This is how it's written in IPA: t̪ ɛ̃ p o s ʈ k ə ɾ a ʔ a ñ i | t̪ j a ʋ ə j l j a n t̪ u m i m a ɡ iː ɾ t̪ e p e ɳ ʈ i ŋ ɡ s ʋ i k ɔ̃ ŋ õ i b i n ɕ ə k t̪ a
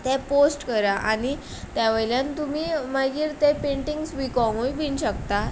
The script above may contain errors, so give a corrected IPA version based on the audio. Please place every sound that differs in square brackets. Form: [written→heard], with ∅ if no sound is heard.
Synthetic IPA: t̪ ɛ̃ p o s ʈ k ə ɾ a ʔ a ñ i | t̪ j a ʋ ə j l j a n t̪ u m i m a ɡ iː ɾ t̪ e p e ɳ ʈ i ŋ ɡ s ʋ i k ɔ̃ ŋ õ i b i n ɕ ə k t̪ a

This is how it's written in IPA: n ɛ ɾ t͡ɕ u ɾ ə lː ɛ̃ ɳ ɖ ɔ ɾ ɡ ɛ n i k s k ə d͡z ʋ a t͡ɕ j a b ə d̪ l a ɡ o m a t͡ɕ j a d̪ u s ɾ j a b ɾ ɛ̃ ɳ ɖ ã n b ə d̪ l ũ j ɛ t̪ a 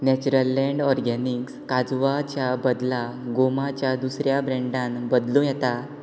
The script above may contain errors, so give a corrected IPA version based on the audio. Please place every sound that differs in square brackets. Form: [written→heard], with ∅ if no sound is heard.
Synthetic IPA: n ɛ [ɾ→∅] t͡ɕ u ɾ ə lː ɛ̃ ɳ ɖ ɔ ɾ ɡ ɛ n i k s k [ə→a] d͡z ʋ a t͡ɕ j a b ə d̪ l a ɡ o m a t͡ɕ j a d̪ u s ɾ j a b ɾ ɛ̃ ɳ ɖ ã n b ə d̪ l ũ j ɛ t̪ a

